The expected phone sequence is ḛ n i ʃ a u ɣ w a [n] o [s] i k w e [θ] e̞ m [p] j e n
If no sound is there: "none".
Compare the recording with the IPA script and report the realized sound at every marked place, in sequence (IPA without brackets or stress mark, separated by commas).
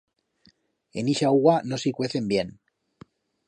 n, s, θ, b